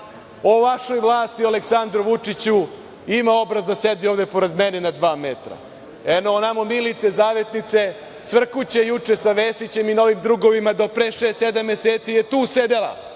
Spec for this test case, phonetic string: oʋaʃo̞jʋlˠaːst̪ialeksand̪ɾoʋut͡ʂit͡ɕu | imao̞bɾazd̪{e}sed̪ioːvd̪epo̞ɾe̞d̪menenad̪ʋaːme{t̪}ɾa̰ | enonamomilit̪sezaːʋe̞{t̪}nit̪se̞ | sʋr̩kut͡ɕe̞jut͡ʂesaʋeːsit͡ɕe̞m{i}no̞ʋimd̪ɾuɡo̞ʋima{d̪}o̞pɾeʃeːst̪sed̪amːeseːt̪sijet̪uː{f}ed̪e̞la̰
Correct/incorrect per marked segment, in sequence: incorrect: a, correct, correct, correct, correct, incorrect: s

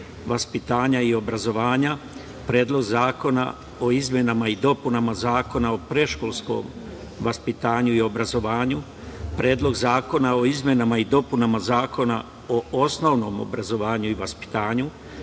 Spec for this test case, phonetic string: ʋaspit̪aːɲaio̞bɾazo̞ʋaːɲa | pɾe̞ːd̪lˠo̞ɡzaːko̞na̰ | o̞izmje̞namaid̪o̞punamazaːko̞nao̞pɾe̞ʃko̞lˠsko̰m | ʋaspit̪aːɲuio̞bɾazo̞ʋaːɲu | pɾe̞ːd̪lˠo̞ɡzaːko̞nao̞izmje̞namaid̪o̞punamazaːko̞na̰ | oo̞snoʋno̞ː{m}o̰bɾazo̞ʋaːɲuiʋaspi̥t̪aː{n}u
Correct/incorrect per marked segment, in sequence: correct, incorrect: ɲ

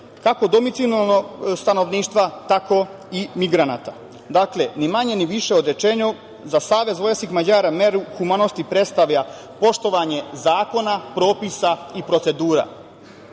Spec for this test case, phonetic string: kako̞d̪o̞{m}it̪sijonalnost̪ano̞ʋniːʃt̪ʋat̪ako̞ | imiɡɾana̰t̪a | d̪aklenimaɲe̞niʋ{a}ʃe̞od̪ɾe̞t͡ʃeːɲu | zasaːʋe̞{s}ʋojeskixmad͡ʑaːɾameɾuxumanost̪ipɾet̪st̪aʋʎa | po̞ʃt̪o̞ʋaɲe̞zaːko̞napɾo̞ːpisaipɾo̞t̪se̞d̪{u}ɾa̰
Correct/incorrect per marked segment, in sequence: correct, incorrect: i, incorrect: z, incorrect: uː

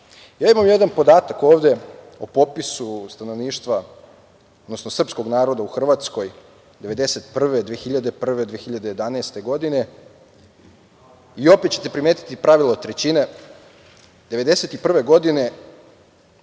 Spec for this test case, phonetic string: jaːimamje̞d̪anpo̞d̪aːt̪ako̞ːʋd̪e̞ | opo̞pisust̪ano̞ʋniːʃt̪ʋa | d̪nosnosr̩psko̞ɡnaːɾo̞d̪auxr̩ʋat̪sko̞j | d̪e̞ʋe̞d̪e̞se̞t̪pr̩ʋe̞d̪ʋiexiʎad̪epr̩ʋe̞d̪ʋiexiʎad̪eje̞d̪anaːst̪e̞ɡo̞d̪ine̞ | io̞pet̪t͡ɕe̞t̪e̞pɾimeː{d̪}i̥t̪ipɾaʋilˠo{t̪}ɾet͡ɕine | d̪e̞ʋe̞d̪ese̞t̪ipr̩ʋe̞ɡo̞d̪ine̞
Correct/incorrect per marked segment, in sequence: incorrect: t̪, correct

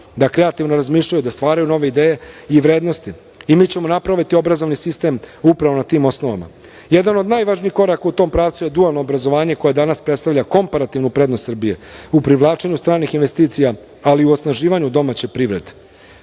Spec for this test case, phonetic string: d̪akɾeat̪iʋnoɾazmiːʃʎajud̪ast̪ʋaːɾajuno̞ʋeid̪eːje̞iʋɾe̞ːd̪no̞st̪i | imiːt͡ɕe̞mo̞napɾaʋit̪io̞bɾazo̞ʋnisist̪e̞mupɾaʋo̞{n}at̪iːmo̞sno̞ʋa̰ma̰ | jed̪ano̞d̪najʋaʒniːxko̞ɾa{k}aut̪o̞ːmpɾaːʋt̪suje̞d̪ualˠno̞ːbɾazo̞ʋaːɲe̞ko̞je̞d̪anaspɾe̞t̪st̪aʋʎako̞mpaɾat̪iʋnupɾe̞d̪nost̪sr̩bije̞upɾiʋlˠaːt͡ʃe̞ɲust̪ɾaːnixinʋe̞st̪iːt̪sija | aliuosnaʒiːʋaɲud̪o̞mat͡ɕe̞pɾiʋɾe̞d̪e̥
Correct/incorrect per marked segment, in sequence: correct, correct

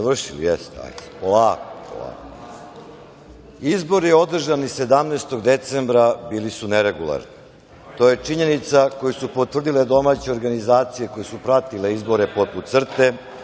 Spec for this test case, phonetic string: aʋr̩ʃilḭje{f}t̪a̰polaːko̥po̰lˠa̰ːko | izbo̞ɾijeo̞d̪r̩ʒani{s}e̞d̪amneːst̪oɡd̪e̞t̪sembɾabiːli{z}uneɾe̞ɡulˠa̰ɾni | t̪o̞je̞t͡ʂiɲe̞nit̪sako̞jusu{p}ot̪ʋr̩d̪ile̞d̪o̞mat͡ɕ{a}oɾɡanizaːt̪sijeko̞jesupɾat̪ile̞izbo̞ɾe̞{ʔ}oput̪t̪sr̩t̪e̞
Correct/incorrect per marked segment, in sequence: incorrect: s, correct, incorrect: s, correct, incorrect: e, incorrect: p

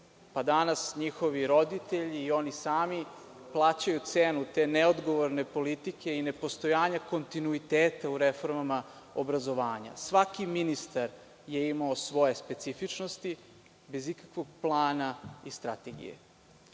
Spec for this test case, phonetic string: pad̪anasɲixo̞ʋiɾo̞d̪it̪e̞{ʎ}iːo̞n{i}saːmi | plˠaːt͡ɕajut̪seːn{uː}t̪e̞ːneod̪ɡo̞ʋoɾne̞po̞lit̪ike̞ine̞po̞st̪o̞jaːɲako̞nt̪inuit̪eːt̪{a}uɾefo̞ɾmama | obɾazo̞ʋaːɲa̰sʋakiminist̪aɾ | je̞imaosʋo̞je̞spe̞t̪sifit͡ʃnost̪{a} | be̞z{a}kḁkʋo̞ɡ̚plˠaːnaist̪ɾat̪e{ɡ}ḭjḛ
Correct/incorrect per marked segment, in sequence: correct, correct, incorrect: u, correct, incorrect: i, incorrect: i, correct

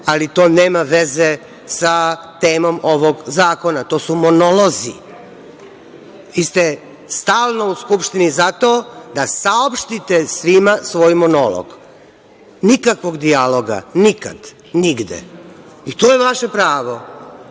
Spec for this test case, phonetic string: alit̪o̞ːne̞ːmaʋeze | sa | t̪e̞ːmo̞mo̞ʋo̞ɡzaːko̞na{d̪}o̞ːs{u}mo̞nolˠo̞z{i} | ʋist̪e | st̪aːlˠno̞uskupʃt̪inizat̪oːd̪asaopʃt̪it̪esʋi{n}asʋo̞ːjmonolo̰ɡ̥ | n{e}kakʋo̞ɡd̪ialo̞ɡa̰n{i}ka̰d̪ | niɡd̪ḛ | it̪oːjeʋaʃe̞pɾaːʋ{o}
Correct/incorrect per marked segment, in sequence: incorrect: t̪, correct, correct, incorrect: m, incorrect: i, correct, correct

